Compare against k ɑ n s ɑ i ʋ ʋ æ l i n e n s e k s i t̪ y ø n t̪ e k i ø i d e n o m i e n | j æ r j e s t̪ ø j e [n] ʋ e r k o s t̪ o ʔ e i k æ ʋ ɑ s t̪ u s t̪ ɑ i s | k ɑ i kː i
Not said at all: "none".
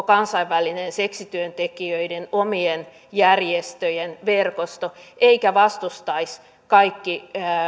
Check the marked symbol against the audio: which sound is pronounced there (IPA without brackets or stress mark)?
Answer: n